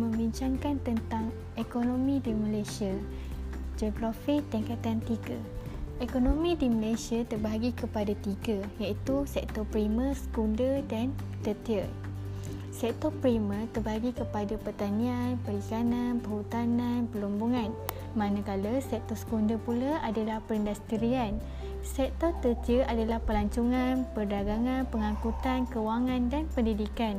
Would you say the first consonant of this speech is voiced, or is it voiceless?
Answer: voiced